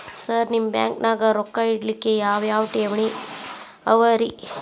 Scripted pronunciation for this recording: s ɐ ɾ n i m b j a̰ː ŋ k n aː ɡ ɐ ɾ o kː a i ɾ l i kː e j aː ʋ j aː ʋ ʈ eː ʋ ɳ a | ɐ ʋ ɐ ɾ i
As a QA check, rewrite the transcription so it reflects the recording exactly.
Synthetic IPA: s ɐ ɾ n i m b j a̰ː ŋ k n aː ɡ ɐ ɾ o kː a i ɽ l i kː e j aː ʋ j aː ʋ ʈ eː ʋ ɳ i | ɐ ʋ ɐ ɾ i